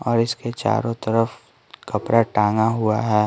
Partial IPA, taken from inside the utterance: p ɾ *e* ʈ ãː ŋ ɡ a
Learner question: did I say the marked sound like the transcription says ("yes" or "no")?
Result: no